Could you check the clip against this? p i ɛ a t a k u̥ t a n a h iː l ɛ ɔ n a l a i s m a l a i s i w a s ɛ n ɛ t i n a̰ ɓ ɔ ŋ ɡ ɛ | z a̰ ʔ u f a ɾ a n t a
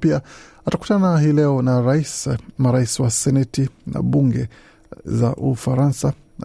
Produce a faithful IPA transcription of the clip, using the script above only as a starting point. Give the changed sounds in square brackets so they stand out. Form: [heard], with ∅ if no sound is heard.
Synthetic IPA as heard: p i [a] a t a k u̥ t a n a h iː l ɛ ɔ n a [ɾ] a i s m a [ɾ] a i s i w a s ɛ n ɛ t i n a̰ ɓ [u] ŋ ɡ ɛ | z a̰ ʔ u f a ɾ a n [s] a